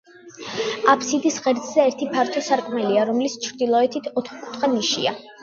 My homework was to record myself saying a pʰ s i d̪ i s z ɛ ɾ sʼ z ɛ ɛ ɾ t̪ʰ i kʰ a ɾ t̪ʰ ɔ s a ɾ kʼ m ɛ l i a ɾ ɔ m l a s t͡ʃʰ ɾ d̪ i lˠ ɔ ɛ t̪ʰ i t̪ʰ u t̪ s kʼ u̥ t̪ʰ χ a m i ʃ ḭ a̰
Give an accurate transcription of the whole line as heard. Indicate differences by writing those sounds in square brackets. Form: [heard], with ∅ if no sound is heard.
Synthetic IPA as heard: a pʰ s i d̪ i s [ʁ] ɛ ɾ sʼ z ɛ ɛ ɾ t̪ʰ i [pʰ] a ɾ t̪ʰ ɔ s a ɾ kʼ m ɛ l i a ɾ ɔ m l [i] s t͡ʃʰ ɾ d̪ i lˠ ɔ ɛ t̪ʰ i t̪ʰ [ɔ] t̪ [χ] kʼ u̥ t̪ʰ χ a [n] i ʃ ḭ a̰